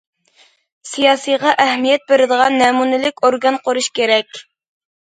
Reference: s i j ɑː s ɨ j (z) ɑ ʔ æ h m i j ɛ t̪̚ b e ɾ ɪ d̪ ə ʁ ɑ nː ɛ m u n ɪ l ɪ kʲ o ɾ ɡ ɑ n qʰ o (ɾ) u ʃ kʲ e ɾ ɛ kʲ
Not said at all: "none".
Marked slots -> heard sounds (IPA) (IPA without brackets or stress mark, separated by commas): ʁ, ɾ